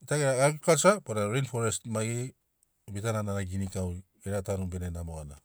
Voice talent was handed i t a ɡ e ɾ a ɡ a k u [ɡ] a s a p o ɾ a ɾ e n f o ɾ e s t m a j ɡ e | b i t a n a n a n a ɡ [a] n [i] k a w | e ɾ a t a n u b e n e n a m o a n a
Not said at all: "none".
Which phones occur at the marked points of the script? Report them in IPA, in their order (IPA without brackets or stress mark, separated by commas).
k, i, i